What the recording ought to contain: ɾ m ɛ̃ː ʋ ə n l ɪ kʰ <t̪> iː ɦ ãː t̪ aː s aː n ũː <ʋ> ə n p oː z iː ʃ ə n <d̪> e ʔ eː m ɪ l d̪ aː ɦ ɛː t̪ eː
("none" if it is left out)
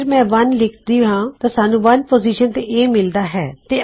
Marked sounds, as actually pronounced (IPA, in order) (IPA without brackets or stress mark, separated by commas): d̪, ʋ, t̪